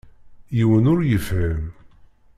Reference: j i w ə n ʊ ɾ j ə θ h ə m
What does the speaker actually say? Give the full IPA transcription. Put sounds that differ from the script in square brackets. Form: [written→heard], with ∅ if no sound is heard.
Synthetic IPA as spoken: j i w ə n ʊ ɾ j ə [θ→f] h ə m